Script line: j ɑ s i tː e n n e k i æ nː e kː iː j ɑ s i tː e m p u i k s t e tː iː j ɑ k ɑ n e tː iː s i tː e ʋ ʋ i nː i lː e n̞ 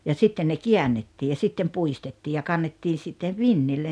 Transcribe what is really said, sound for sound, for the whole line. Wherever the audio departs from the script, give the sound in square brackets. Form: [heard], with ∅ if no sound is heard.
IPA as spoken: j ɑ s i tː e n n e k i æ nː e [tː] iː j ɑ s i tː e m p u i [∅] s t e tː iː j ɑ k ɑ [nː] e tː iː s i tː e ʋ ʋ i nː i lː e n̞